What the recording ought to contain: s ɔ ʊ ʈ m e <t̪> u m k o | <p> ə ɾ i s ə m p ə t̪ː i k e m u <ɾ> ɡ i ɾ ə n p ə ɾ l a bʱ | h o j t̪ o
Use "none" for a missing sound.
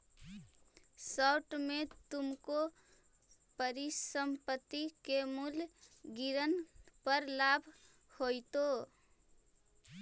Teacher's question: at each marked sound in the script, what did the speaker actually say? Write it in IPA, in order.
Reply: t̪, p, l

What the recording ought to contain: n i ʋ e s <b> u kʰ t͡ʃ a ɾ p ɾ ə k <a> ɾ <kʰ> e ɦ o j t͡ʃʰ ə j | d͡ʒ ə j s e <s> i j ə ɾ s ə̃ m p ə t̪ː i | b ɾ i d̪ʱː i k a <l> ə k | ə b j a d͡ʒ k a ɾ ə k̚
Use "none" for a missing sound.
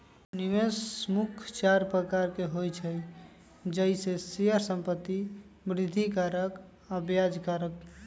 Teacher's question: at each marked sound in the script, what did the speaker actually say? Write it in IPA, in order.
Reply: m, a, k, s, ɾ

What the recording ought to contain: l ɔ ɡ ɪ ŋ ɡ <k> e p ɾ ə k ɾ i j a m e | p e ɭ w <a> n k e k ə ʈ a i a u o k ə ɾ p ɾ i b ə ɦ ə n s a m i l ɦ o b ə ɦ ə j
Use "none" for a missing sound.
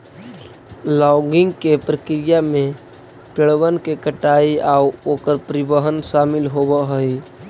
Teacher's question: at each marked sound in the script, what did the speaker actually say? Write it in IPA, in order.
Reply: k, ə

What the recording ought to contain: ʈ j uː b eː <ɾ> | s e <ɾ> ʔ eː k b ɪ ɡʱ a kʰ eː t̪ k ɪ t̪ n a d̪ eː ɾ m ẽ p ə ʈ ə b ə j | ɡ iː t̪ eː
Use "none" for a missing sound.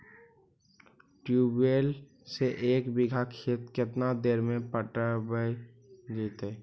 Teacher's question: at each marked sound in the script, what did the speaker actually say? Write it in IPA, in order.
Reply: l, none

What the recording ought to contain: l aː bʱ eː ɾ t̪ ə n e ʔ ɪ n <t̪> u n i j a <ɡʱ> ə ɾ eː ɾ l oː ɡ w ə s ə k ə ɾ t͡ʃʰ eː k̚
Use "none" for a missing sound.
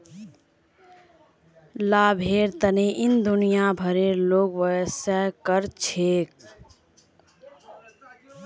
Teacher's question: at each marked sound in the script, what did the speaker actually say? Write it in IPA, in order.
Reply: d̪, bʱ

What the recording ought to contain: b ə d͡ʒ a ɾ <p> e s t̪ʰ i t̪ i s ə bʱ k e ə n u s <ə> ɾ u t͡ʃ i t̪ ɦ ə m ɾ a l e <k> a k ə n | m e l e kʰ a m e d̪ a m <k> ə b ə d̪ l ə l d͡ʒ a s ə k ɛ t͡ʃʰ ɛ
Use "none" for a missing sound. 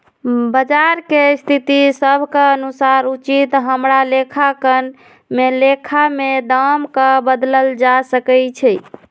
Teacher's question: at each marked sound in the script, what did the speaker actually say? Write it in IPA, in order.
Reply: k, a, kʰ, k

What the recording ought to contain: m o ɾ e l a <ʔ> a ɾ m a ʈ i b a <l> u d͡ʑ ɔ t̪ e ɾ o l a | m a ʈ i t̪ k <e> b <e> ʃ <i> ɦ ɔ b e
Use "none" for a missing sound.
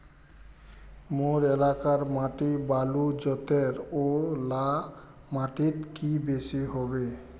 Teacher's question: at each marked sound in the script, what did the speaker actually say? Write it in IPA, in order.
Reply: k, l, i, e, i

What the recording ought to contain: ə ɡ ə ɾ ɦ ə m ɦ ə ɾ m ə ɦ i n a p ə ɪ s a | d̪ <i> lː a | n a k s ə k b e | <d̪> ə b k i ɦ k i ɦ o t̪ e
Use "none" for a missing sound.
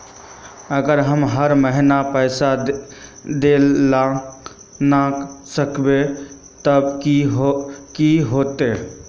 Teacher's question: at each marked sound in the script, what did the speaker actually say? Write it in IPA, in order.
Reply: e, t̪

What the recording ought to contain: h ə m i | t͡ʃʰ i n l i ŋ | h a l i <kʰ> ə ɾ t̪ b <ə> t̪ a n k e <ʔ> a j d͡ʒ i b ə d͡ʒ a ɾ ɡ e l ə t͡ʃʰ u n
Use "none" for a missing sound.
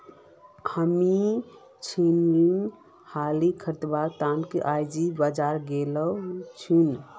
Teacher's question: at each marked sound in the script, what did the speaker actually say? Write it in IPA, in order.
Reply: kʰ, a, ʔ

